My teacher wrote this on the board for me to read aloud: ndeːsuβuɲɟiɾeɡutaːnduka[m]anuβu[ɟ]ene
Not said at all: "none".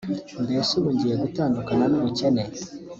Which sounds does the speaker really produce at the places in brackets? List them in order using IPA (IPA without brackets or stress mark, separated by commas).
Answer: n, c